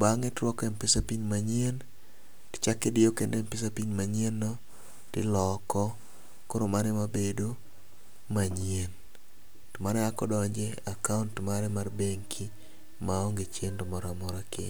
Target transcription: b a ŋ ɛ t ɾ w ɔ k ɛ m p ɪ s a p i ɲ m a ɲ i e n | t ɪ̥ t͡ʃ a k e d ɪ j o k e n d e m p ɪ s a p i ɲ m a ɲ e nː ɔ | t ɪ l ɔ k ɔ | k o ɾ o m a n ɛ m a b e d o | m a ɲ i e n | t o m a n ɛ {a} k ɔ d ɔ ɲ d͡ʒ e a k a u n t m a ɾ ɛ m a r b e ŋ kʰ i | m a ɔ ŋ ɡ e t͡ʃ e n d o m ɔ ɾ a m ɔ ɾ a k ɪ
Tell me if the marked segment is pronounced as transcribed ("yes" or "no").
yes